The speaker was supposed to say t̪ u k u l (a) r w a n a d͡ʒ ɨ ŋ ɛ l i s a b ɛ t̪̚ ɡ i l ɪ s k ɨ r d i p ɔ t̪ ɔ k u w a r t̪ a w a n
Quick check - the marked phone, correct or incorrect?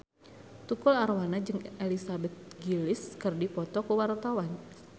correct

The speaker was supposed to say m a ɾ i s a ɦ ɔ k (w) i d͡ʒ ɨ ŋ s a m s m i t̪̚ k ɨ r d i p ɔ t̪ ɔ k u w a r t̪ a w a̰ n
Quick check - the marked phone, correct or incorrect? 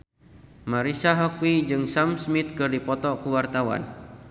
correct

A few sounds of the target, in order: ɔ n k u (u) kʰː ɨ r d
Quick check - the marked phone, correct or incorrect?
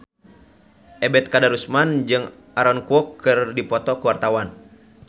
incorrect: ɔ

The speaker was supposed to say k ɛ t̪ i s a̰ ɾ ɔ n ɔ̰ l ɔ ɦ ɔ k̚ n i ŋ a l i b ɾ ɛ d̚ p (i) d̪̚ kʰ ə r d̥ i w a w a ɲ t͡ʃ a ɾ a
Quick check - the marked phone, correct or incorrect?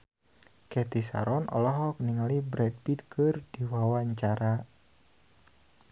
correct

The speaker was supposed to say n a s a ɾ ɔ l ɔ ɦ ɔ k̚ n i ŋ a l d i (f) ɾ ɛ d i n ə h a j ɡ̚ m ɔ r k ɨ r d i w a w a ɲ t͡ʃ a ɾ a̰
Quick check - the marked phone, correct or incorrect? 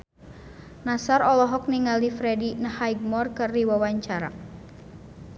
correct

